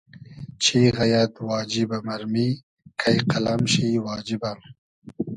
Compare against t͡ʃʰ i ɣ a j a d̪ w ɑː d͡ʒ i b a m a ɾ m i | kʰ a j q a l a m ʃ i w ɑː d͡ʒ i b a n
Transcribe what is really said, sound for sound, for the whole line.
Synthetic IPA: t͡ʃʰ i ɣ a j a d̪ w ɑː d͡ʒ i b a m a ɾ m i | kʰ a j q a l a m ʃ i w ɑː d͡ʒ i b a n